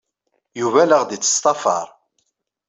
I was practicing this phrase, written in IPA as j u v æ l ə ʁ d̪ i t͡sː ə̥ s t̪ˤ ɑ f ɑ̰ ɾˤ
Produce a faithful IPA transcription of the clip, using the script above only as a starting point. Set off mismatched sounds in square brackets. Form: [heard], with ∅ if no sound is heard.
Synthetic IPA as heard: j u v æ l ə ʁ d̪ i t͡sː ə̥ s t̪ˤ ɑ f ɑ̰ ɾˤ

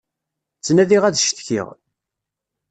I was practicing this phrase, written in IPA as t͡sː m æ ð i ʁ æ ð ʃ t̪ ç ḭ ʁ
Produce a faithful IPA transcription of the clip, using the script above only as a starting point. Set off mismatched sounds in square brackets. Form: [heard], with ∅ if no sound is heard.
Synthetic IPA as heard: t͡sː [n] æ ð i ʁ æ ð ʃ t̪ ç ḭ ʁ

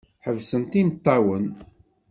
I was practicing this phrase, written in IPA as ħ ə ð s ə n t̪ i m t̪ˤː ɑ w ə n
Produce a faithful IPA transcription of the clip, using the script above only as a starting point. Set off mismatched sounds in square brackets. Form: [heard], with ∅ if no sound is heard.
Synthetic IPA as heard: ħ ə [v] s ə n t̪ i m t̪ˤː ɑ w ə n

